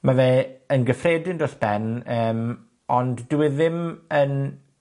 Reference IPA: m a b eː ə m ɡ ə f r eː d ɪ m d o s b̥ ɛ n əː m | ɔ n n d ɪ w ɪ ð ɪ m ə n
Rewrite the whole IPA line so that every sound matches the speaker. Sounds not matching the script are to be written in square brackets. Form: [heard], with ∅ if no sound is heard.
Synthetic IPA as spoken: m a [v] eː ə [n] ɡ ə f r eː d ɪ [n] d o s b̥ ɛ n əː m | ɔ n [d] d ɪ w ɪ ð ɪ m ə n